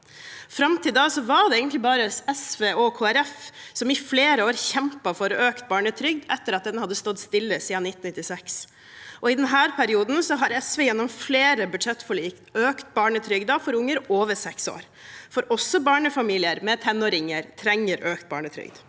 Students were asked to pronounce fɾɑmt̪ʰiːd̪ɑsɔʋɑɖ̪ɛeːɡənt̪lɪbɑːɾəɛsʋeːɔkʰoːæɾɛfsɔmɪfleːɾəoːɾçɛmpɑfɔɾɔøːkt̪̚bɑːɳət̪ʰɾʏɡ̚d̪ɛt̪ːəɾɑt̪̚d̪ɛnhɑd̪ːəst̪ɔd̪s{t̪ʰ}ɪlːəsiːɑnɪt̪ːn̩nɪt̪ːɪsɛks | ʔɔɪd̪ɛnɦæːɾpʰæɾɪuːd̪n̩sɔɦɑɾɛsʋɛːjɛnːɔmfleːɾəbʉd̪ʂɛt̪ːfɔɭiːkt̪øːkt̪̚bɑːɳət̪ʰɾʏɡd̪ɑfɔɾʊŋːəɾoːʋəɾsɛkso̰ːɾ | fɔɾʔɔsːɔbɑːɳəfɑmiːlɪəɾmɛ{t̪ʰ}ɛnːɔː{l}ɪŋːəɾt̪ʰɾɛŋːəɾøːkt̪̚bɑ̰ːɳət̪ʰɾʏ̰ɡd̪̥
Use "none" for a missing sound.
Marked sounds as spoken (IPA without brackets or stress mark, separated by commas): t̪, t̪ʰ, ɾ